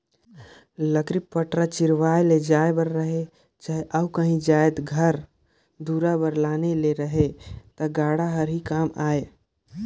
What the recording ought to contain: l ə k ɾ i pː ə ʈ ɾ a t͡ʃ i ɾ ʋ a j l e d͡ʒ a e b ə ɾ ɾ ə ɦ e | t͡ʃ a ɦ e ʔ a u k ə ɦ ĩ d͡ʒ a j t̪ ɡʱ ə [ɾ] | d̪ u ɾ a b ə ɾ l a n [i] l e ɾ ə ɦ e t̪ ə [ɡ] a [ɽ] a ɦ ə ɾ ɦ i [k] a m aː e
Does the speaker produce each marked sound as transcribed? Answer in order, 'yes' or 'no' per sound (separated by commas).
yes, no, yes, yes, yes